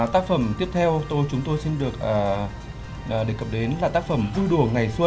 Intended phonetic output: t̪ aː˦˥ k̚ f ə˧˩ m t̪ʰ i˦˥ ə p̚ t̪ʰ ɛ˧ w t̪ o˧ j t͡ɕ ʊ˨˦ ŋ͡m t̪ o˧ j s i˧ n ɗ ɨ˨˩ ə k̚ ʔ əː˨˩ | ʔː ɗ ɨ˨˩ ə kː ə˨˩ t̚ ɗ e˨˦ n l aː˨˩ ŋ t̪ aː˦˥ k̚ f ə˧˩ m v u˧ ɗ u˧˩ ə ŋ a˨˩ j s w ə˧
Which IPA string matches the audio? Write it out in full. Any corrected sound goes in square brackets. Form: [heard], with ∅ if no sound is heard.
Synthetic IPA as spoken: t̪ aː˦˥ k̚ f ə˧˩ m [t̪] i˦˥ ə p̚ t̪ʰ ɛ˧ w t̪ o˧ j t͡ɕ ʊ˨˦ ŋ͡m t̪ o˧ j s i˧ n ɗ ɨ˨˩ ə k̚ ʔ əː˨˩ | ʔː ɗ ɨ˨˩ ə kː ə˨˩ [p̚] ɗ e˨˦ n l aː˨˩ [∅] t̪ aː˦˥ k̚ f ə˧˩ m v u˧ ɗ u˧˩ ə ŋ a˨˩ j s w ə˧